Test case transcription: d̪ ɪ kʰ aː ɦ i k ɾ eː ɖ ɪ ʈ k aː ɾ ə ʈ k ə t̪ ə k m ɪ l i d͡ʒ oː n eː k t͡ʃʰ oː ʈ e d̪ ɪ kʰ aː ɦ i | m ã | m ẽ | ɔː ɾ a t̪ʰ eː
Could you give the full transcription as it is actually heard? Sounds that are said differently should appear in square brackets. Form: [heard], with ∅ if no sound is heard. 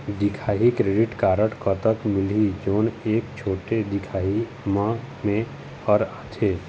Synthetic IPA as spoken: d̪ ɪ kʰ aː ɦ i k ɾ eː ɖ ɪ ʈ k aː ɾ ə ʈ k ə t̪ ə k m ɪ l i d͡ʒ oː n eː k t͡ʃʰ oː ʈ e d̪ ɪ kʰ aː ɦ i | m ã | m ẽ | ɔː ɾ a t̪ʰ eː